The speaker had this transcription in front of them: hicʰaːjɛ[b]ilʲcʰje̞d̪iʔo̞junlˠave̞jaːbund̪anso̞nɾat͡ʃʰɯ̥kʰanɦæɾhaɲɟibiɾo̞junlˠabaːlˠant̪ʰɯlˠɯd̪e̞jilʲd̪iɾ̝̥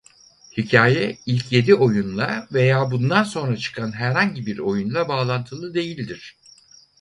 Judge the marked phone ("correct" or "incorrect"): incorrect